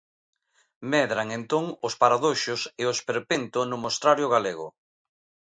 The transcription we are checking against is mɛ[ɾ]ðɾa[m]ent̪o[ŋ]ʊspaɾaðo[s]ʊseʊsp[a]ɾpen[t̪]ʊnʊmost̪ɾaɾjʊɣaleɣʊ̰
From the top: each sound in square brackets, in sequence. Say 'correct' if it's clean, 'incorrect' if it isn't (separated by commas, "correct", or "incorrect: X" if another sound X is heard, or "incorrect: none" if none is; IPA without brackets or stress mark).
incorrect: none, incorrect: ŋ, correct, incorrect: ʃ, incorrect: e, correct